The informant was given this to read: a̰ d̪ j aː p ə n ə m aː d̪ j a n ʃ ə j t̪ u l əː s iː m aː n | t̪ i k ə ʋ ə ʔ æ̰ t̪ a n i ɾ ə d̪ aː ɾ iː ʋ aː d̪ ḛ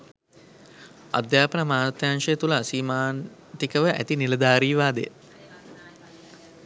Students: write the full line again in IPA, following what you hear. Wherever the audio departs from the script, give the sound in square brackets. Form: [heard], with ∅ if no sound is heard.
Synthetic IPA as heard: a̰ d̪ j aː p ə n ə m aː [t̪] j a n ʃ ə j t̪ u l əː s iː m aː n | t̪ i k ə ʋ ə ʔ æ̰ t̪ [i] n i [l] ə d̪ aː ɾ iː ʋ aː d̪ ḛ